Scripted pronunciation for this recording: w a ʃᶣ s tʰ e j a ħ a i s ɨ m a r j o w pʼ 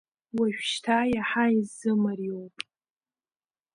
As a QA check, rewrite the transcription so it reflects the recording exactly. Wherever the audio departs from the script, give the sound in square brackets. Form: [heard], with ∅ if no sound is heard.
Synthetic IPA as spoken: w a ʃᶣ [ʃ] tʰ [a] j a ħ a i [z] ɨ m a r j o w pʼ